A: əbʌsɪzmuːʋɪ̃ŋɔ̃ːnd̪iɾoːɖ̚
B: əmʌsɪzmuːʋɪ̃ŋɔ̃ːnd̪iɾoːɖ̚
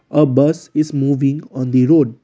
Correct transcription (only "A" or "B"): A